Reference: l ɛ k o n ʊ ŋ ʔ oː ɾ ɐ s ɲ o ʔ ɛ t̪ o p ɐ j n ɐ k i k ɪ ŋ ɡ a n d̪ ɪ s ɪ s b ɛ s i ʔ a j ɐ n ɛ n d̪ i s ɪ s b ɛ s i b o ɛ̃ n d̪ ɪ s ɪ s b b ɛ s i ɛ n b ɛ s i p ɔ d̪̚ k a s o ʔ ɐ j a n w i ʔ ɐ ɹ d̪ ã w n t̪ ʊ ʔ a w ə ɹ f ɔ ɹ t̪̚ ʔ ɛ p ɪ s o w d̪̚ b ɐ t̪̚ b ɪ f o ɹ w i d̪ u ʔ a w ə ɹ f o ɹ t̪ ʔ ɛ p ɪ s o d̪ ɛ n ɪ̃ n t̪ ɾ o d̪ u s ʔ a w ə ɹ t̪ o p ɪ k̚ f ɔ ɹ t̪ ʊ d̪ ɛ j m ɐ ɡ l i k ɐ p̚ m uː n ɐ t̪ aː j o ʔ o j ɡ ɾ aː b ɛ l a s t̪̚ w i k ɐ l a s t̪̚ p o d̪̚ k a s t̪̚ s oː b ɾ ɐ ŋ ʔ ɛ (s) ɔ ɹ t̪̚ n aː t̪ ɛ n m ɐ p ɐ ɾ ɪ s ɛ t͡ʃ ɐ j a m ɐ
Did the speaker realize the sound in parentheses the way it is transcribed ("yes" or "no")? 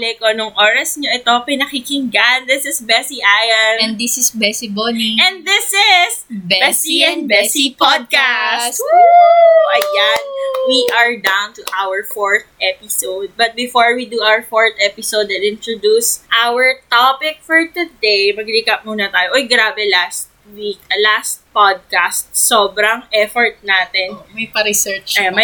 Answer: no